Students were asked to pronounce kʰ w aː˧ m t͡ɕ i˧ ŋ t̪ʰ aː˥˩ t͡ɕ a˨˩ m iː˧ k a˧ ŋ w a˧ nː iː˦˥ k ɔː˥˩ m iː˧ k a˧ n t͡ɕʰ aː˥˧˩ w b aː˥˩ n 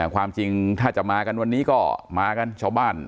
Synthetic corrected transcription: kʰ w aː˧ m t͡ɕ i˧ ŋ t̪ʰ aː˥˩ t͡ɕ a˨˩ m aː˧ k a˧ n w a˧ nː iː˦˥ k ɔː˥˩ m aː˧ k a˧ n t͡ɕʰ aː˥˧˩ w b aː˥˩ n